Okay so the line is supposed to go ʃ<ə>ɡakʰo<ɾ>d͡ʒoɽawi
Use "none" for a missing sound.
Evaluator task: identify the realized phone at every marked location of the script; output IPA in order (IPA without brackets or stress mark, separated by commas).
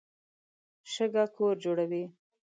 ə, ɾ